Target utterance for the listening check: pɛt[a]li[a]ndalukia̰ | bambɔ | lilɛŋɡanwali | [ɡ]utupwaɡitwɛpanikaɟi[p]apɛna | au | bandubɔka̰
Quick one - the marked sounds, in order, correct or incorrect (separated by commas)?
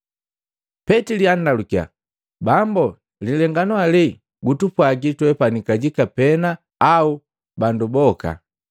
incorrect, correct, correct, incorrect